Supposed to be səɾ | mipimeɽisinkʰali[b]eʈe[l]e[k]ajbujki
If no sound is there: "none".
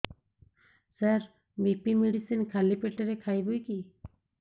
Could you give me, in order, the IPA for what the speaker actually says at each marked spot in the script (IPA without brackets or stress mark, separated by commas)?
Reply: p, ɾ, kʰ